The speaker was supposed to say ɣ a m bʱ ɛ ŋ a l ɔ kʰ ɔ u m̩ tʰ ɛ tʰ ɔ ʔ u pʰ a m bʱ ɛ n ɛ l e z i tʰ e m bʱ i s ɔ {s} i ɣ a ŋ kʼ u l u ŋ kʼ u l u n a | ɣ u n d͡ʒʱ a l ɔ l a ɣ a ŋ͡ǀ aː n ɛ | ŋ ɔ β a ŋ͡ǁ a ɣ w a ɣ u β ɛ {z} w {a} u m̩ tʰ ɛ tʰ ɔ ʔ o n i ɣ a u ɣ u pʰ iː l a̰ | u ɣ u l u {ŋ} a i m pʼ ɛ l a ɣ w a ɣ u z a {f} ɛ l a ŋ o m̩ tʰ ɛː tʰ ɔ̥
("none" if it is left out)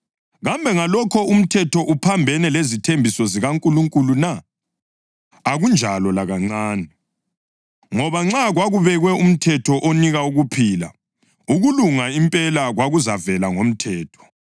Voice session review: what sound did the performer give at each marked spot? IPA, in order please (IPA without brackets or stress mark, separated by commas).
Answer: z, ɣ, ɛ, ŋ, v